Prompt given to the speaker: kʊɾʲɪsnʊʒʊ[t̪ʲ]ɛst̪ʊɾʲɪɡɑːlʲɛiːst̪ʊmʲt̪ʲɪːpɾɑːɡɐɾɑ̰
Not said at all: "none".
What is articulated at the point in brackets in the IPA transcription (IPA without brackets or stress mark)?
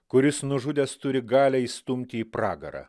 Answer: d̪ʲ